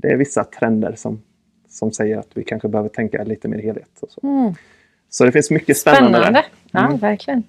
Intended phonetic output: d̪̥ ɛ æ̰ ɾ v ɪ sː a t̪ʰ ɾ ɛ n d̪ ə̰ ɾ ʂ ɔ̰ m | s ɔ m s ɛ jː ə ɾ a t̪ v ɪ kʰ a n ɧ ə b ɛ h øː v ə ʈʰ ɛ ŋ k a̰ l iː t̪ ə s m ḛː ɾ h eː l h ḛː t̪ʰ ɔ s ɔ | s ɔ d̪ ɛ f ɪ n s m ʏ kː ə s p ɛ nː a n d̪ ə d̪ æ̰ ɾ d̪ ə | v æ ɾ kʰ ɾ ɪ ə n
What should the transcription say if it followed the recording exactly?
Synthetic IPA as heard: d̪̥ ɛ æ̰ ɾ v ɪ sː a t̪ʰ ɾ ɛ n d̪ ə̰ ɾ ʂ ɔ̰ m | s ɔ m s ɛ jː ə ɾ a t̪ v ɪ kʰ a n ɧ ə b ɛ h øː v ə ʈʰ ɛ ŋ k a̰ l iː t̪ ə m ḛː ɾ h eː l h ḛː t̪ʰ ɔ s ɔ | s ɔ d̪ ɛ f ɪ n s m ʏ kː ə s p ɛ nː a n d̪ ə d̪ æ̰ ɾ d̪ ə | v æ ɾ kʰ l ɪ ə n